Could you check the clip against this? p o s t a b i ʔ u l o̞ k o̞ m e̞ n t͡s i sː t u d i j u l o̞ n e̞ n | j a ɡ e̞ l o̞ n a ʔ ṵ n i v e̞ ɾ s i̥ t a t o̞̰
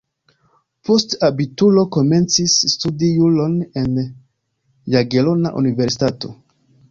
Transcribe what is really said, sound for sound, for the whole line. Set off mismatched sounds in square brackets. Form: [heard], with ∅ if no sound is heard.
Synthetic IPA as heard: p o s t a b i [t] u l o̞ k o̞ m e̞ n t͡s i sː t u d i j u l o̞ n e̞ n | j a ɡ e̞ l o̞ n a ʔ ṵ n i v e̞ ɾ s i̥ t a t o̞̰